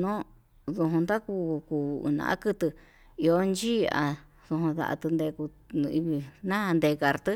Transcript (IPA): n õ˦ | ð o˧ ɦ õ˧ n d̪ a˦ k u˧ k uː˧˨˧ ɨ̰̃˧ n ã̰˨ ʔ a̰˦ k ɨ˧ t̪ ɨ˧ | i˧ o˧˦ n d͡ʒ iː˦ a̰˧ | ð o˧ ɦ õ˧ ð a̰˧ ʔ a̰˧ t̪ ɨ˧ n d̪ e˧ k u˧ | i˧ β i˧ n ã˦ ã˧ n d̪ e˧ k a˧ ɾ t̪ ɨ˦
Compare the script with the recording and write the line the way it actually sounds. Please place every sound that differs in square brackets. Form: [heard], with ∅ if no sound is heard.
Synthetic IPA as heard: n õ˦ | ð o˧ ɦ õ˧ n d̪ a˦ k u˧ k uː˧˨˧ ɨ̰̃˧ n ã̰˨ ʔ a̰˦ k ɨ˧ t̪ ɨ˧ | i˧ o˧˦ n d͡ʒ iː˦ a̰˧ | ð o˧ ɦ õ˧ ð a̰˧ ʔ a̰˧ t̪ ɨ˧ n d̪ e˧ k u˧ | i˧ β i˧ n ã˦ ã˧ n d̪ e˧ k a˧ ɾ t̪ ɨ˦